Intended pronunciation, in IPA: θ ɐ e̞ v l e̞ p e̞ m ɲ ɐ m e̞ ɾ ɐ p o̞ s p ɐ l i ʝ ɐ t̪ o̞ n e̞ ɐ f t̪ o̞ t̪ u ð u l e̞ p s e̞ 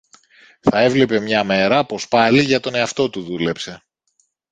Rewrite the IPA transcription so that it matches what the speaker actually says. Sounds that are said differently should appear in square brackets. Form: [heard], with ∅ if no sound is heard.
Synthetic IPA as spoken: θ ɐ e̞ v l e̞ p e̞ m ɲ ɐ m e̞ ɾ ɐ p o̞ s p ɐ l i ʝ ɐ t̪ o̞ n e̞ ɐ f t̪ o̞ t̪ u ð u l e̞ p s e̞